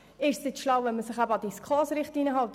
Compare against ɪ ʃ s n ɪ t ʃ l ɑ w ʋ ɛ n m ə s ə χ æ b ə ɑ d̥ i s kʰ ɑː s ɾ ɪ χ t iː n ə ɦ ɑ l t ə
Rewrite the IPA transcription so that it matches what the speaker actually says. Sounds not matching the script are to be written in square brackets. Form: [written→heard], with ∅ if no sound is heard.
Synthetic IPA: ɪ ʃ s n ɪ t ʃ l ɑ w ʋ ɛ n m ə s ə χ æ b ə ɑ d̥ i s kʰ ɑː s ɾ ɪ χ t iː n ə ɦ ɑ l t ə